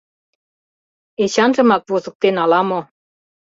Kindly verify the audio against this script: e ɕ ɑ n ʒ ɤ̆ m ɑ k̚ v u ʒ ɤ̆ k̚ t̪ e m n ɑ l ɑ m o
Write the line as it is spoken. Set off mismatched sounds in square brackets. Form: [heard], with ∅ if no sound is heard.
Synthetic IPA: e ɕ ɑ n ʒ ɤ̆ m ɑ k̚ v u [z] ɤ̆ k̚ t̪ e [∅] n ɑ l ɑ m o